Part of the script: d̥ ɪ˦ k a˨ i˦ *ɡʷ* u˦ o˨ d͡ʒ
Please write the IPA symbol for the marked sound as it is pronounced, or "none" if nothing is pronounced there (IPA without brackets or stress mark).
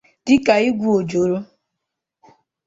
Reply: ɡʷ